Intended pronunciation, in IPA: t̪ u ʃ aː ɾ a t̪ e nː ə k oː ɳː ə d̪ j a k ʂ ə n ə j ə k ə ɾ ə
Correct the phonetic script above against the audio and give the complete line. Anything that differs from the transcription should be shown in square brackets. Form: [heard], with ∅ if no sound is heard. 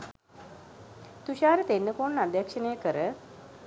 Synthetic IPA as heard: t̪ u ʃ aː ɾ [ə] t̪ e nː ə k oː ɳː [a] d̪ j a k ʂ ə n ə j ə k ə ɾ ə